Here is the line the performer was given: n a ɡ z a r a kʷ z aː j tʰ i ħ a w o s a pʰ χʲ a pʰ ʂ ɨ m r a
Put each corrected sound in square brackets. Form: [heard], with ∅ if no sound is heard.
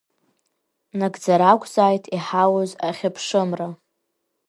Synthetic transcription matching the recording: n a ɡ [d͡z] a [ɾ] a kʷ z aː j tʰ i ħ a w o [z] a [∅] χʲ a pʰ ʂ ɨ m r a